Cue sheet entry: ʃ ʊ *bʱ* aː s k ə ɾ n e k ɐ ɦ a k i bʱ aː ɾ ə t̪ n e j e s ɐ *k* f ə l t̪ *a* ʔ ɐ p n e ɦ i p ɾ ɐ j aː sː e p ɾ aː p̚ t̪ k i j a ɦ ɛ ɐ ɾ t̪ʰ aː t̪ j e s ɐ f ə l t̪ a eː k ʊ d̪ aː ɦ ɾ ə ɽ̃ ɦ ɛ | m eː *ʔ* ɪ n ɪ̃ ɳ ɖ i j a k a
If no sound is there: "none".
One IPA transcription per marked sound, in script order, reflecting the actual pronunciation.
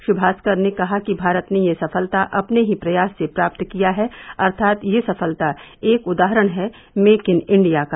bʱ, none, a, k

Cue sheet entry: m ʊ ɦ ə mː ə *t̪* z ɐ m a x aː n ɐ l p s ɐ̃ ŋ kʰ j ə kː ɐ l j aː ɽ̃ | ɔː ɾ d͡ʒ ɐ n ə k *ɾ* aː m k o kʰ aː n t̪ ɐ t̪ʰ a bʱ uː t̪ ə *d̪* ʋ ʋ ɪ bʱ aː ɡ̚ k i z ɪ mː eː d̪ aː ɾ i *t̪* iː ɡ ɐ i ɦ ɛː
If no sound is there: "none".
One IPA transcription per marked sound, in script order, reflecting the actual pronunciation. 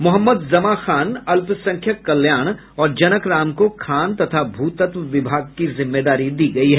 d̪, ɾ, t̪, d̪

